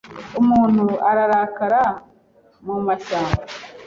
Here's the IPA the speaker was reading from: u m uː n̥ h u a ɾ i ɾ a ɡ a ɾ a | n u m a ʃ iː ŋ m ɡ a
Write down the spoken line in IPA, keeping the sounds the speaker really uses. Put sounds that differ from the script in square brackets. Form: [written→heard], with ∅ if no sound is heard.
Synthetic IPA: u m uː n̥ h u a ɾ [i→a] ɾ a [ɡ→k] a ɾ a | [n→m] u m a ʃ [iː→aː] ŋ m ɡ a